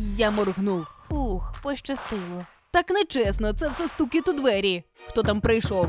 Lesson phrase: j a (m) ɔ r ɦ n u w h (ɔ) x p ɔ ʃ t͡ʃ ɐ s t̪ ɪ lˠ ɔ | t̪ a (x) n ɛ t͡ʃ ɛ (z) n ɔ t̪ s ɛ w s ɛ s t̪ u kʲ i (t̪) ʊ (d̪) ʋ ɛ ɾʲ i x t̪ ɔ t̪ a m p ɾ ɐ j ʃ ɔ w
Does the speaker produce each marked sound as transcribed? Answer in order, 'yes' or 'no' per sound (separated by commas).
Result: yes, no, no, no, yes, yes